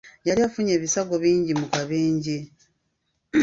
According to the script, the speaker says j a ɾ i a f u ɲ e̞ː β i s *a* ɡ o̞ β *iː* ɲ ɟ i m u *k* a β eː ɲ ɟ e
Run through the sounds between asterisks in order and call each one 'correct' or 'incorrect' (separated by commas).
correct, correct, correct